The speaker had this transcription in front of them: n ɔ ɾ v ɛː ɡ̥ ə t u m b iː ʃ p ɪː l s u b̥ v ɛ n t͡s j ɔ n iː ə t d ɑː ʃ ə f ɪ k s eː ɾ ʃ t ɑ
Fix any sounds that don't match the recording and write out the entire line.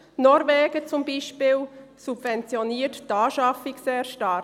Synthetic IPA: n ɔ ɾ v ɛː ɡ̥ ə t͡s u m b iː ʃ p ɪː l s u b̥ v ɛ n t͡s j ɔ n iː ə t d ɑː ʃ ɑ f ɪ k s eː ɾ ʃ t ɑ